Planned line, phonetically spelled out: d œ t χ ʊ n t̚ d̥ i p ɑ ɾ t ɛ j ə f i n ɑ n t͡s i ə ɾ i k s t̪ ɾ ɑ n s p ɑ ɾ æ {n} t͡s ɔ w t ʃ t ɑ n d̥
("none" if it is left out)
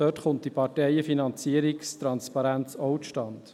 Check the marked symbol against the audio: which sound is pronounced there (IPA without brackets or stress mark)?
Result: n